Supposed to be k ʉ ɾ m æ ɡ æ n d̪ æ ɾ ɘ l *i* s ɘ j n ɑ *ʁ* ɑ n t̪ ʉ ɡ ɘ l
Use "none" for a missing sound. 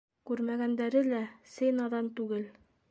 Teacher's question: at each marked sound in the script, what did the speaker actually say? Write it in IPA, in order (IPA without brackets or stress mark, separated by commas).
æ, ð